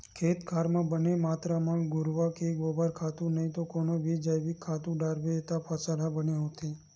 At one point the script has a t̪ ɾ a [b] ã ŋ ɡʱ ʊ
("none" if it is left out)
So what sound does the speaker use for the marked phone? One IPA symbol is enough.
m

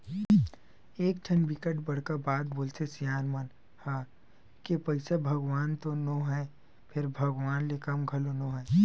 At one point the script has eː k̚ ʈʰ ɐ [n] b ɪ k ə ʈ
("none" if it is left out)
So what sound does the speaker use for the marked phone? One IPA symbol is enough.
n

